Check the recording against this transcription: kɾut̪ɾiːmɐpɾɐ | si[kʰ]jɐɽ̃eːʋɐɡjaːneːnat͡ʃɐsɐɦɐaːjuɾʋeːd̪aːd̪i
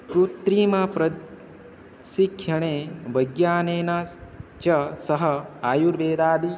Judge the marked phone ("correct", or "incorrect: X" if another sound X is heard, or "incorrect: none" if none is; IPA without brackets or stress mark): correct